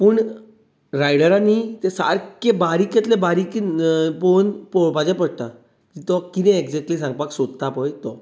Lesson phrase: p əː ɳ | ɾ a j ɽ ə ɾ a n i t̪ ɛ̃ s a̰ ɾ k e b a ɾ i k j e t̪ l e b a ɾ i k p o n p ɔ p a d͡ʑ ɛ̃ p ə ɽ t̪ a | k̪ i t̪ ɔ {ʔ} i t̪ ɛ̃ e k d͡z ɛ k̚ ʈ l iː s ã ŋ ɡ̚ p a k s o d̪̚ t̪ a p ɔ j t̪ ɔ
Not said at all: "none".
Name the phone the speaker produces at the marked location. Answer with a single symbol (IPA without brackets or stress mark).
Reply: k